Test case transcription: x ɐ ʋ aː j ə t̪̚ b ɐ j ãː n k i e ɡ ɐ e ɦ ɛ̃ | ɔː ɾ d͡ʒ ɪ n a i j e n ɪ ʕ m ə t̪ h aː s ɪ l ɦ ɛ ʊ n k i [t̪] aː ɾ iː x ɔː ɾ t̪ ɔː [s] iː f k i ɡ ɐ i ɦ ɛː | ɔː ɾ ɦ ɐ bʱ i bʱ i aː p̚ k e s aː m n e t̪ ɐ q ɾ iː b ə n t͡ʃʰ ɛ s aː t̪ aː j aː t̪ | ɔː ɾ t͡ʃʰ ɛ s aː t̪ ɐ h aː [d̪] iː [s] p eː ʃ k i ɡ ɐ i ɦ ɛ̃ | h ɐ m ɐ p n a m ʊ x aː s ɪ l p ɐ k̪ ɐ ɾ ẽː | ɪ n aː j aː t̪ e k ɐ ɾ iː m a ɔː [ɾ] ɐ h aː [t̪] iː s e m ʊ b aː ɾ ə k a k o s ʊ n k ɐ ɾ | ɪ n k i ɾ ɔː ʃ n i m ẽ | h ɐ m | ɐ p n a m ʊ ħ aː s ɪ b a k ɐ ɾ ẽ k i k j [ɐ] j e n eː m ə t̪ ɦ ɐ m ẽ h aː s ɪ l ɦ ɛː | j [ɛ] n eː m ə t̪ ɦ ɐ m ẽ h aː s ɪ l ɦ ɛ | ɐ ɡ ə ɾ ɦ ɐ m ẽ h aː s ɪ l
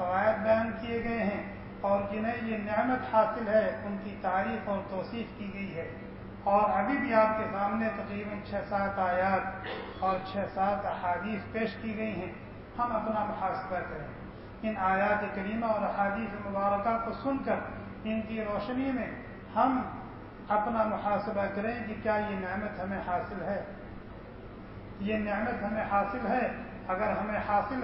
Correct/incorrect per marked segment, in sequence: correct, correct, correct, correct, correct, incorrect, incorrect, incorrect

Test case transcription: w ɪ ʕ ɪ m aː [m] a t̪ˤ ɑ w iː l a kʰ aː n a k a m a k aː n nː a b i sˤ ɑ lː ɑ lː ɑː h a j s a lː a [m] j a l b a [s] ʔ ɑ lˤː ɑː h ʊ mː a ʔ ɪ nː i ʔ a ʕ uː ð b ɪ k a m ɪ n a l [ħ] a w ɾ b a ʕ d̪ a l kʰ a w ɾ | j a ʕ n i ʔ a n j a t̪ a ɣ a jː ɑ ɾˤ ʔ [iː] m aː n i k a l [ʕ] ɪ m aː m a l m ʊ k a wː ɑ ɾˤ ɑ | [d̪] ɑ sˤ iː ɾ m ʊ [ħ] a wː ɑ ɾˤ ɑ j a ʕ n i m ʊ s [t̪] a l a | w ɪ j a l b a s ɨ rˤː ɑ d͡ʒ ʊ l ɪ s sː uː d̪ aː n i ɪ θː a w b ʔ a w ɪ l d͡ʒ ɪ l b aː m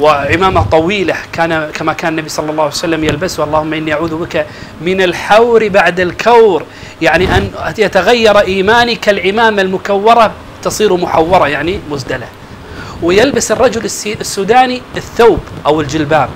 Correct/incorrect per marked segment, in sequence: correct, correct, correct, correct, correct, correct, incorrect, correct, incorrect

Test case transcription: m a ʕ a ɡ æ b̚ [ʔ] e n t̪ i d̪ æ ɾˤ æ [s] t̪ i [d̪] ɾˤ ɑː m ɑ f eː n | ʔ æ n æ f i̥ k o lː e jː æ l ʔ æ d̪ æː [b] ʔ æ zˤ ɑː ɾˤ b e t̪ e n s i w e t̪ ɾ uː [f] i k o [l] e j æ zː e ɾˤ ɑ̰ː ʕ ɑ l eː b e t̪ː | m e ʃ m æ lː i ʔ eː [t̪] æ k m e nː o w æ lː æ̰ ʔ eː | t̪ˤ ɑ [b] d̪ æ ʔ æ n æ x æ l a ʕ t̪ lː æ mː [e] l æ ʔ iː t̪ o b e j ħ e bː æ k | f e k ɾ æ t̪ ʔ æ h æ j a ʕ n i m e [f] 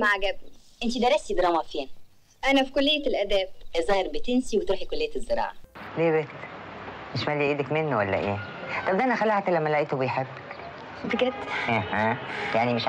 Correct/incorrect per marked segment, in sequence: correct, correct, correct, correct, incorrect, incorrect, incorrect, correct, incorrect, incorrect

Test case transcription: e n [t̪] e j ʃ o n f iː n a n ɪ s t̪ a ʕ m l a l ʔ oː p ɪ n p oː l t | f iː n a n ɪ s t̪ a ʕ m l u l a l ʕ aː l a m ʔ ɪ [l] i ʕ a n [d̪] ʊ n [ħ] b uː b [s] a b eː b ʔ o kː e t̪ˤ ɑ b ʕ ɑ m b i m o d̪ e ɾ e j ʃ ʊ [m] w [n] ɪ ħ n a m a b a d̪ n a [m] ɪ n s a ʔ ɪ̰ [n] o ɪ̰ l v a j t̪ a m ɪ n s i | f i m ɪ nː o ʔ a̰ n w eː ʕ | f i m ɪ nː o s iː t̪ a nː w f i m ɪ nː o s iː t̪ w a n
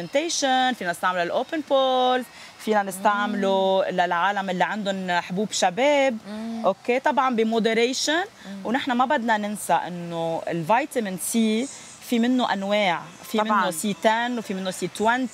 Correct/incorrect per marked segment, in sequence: correct, incorrect, correct, correct, incorrect, incorrect, correct, incorrect, incorrect

